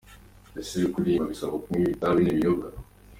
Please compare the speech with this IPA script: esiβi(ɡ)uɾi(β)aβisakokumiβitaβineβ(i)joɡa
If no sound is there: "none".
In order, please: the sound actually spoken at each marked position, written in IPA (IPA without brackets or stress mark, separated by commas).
k, none, i